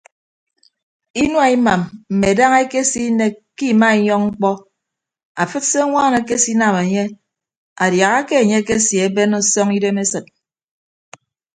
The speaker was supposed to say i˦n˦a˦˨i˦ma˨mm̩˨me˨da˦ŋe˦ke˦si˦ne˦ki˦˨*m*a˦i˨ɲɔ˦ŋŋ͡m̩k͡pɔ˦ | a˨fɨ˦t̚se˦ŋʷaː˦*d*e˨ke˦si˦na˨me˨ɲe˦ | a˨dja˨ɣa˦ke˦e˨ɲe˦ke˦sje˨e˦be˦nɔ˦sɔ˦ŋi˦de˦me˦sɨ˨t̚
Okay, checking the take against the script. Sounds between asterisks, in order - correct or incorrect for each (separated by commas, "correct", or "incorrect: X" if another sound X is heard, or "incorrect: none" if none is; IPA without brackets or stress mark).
correct, incorrect: n